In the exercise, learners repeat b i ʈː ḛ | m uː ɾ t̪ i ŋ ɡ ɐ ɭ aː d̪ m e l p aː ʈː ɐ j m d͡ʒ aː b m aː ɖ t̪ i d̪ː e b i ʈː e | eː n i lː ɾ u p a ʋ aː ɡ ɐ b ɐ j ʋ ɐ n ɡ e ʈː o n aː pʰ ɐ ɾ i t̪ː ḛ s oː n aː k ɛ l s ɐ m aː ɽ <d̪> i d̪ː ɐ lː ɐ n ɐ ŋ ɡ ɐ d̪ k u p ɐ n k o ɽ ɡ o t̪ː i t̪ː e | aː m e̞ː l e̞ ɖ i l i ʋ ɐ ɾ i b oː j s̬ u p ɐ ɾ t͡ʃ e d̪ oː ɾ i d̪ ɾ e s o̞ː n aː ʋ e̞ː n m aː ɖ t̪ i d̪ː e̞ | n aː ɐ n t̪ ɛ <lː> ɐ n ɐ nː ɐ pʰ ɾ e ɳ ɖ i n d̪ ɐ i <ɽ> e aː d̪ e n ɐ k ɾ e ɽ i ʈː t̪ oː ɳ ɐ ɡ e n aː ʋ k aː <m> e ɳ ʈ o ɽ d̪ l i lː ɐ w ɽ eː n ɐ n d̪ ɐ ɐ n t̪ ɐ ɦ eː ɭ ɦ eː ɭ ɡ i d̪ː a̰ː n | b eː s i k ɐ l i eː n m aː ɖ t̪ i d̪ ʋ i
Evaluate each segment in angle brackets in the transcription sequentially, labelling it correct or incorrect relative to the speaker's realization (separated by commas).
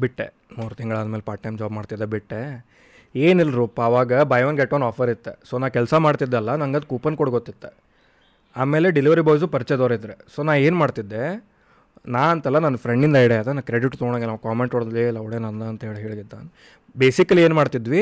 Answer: incorrect, correct, correct, correct